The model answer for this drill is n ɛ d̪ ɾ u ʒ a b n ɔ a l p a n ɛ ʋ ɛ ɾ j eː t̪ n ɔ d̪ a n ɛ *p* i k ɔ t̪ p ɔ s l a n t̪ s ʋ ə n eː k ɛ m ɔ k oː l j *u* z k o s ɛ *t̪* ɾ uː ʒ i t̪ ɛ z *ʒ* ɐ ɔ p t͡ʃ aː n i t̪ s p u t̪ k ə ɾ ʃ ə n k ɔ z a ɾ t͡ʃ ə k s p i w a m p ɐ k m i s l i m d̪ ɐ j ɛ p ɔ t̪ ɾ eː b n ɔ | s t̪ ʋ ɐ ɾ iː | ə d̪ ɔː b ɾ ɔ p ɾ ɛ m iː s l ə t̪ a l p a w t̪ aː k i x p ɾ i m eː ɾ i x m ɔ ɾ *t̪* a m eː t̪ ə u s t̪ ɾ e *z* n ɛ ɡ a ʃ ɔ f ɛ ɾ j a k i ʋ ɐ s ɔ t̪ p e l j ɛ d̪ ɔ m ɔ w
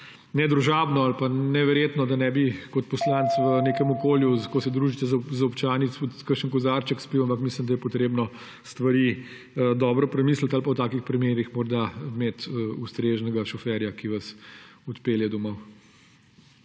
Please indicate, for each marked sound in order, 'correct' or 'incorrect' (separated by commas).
incorrect, correct, incorrect, incorrect, incorrect, incorrect